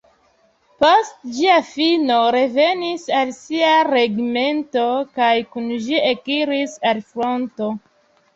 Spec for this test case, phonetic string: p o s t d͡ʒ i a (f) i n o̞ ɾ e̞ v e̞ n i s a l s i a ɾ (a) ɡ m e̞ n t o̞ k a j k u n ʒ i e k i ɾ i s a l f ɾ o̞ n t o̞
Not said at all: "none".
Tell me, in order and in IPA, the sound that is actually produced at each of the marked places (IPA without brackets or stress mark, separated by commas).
f, e